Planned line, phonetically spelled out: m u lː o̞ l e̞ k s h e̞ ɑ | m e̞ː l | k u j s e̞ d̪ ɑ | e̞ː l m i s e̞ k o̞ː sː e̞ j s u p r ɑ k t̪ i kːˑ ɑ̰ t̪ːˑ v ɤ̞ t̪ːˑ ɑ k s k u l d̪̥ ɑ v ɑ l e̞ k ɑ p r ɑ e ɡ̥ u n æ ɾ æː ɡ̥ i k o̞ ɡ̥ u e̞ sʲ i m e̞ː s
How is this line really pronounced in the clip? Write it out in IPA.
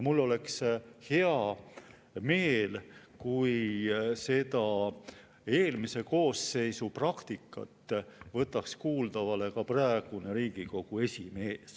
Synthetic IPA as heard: m u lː o̞ l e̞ k s h e̞ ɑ | m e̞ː l | k u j s e̞ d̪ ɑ | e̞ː l m i s e̞ k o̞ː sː e̞ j s u p r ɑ k t̪ i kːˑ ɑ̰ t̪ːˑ v ɤ̞ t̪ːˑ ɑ k s k uː l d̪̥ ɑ v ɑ l e̞ k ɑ p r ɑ e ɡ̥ u n e ɾ iː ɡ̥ i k o̞ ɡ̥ u e̞ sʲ i m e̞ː s